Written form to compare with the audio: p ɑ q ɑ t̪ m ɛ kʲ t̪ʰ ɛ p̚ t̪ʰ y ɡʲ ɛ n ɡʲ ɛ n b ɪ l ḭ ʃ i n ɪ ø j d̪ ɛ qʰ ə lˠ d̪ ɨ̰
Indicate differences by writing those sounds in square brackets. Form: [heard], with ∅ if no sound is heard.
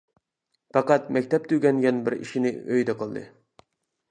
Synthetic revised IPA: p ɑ q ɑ t̪ m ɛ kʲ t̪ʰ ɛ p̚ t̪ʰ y ɡʲ ɛ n ɡʲ ɛ n b ɪ [ɾ] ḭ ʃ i n ɪ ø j d̪ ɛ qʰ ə lˠ d̪ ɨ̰